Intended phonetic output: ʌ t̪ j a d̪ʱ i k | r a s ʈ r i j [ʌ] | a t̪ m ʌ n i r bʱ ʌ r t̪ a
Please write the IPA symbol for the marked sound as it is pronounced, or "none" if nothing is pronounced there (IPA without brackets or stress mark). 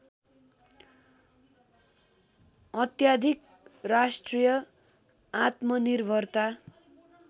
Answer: ʌ